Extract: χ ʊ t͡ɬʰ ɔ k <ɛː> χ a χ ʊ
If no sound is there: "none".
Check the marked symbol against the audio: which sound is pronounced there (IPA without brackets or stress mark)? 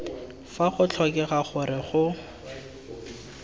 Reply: ɛ